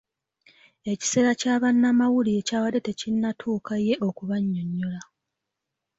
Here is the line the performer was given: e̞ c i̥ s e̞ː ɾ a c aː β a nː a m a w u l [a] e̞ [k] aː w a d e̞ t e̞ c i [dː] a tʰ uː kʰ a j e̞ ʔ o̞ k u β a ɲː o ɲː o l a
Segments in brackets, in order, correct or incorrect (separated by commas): incorrect, incorrect, incorrect